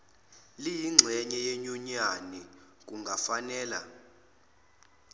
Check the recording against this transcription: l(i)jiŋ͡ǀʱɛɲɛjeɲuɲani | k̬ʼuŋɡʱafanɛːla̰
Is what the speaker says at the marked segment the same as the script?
yes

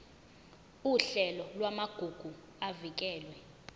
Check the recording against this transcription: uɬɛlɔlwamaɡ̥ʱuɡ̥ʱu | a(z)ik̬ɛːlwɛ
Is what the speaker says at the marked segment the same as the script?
no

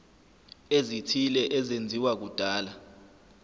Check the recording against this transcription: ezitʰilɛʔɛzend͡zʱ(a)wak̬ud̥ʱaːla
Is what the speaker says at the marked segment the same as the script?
no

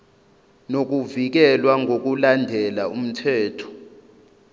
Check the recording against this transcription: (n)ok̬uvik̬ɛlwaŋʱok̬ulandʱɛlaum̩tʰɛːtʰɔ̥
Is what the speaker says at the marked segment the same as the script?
yes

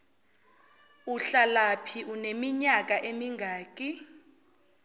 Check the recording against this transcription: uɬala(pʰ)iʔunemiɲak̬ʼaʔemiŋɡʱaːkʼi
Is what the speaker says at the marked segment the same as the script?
yes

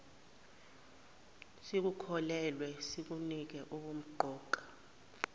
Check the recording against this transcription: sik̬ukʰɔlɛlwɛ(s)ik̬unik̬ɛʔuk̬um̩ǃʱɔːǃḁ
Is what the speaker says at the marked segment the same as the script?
yes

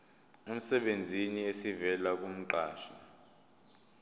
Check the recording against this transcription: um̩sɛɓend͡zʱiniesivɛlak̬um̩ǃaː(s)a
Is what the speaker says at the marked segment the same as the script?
no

